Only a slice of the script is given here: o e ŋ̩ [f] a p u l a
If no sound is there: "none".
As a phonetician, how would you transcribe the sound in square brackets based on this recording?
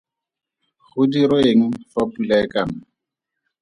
f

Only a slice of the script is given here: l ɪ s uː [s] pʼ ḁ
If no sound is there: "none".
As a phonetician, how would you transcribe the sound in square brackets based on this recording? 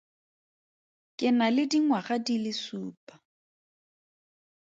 none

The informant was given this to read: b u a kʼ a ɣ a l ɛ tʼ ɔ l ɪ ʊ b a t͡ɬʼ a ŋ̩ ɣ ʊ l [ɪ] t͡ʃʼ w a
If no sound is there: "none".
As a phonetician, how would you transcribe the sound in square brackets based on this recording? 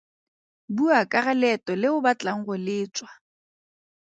ɪː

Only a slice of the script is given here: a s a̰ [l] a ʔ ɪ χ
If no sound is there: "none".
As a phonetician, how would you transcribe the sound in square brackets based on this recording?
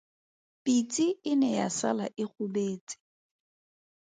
l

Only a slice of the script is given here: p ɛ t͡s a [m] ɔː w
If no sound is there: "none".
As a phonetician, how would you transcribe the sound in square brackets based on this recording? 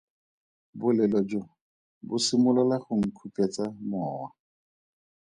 m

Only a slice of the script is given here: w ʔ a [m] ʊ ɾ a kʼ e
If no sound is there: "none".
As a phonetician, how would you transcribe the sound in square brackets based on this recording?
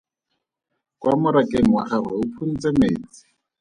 m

